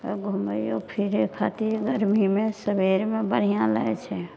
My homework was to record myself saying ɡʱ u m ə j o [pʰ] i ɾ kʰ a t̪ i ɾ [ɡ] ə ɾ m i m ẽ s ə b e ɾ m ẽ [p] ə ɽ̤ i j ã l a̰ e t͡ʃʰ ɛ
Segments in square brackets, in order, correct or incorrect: correct, correct, incorrect

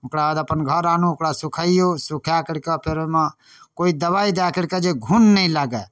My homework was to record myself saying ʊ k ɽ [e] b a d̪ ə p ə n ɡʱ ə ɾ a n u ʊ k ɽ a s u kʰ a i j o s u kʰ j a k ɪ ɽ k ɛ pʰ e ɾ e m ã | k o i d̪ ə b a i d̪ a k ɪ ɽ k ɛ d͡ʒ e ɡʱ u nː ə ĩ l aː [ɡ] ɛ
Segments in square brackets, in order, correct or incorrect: incorrect, correct

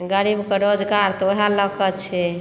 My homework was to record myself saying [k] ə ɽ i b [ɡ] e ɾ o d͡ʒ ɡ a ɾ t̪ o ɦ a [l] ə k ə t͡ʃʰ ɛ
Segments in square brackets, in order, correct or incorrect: incorrect, incorrect, correct

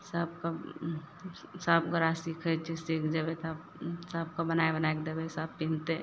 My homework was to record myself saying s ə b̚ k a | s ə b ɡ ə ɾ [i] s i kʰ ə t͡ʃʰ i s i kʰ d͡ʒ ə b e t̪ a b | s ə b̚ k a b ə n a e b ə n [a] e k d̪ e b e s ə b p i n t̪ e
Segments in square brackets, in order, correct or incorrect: incorrect, correct

